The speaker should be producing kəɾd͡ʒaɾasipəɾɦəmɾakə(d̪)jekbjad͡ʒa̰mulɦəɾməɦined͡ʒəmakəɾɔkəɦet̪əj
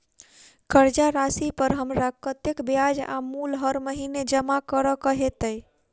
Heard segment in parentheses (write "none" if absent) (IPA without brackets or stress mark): t̪